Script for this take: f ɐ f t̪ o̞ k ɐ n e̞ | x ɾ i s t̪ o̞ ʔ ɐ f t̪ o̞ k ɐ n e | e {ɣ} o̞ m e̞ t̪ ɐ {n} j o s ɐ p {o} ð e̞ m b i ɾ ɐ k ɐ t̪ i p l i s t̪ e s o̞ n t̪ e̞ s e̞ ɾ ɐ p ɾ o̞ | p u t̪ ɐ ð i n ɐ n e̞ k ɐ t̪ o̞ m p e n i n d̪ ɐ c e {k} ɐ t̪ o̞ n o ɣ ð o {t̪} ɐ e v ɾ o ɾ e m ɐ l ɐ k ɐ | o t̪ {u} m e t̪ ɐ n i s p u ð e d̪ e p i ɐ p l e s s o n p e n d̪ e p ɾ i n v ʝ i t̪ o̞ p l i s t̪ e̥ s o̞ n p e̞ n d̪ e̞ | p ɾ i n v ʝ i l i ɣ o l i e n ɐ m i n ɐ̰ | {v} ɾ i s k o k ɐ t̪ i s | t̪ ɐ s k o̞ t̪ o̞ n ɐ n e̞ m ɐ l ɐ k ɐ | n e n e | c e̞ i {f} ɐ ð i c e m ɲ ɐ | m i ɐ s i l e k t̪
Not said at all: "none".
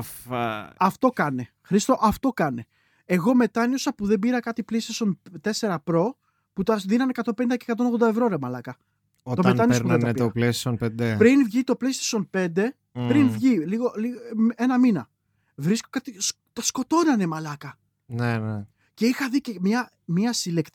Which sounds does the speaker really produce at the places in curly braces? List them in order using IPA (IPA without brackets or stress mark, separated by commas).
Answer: ɣ, n, u, k, d̪, o, v, x